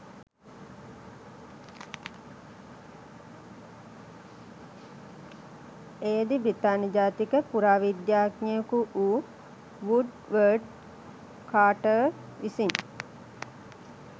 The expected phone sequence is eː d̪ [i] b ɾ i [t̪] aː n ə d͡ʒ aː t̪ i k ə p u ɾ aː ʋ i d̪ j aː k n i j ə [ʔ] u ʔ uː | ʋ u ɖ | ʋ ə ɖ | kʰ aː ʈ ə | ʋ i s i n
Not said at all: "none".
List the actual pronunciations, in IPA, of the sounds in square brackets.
i, t̪, k

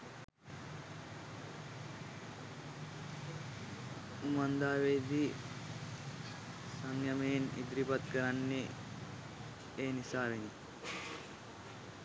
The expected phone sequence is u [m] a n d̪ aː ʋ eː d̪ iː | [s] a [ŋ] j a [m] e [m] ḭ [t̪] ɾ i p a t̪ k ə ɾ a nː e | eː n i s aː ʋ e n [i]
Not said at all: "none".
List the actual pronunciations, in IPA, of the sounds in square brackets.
m, s, ŋ, m, n, d̪, i

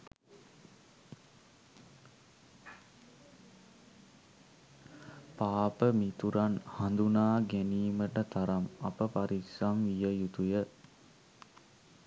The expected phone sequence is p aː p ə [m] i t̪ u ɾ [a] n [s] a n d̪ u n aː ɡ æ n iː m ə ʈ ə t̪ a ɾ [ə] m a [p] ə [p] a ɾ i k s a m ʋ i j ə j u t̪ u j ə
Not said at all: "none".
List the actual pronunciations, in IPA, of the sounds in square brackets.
m, a, h, a, p, p

